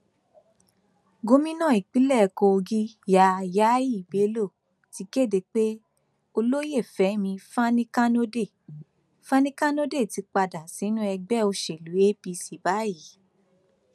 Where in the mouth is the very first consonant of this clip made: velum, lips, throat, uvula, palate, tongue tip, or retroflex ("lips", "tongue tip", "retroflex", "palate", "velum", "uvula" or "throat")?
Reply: velum